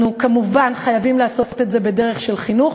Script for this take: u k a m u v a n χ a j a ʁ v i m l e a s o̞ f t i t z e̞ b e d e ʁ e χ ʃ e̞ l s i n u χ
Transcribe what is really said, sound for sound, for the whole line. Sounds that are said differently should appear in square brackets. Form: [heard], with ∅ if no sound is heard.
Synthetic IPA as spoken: u k a m u v a n χ a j a [∅] v i m l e a s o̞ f t [e] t z e̞ b e d e ʁ e χ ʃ e̞ l [χ] i n u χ